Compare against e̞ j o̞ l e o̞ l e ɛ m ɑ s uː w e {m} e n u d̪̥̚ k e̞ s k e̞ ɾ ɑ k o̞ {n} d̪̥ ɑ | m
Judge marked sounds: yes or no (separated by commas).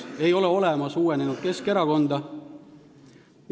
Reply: no, yes